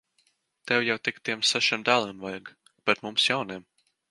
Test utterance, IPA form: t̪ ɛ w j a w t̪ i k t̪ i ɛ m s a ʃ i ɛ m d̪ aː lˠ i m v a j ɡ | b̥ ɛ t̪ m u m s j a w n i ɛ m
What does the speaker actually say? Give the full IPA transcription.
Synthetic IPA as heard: t̪ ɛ w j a w t̪ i k t̪ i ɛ m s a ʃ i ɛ m d̪ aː lˠ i m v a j ɡ | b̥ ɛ t̪ m u m s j a w n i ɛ m